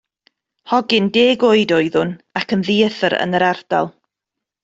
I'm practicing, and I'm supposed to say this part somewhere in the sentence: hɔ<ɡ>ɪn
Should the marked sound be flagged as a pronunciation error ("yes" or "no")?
no